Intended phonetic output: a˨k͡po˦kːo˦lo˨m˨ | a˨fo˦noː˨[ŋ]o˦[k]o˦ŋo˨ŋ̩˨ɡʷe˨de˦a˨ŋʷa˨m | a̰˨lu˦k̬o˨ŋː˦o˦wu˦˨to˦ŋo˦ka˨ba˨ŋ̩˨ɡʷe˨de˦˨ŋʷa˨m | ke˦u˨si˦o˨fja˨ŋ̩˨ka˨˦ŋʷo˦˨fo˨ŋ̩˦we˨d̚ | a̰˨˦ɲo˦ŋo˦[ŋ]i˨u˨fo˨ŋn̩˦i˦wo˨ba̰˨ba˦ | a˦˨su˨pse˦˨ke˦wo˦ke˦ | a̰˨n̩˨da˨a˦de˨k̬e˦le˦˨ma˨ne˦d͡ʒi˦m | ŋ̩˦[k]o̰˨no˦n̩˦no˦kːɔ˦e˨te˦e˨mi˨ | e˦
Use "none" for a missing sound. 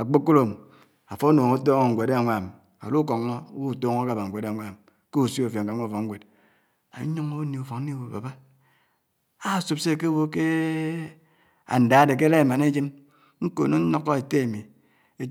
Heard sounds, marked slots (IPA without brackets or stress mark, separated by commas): ŋ, t, n, k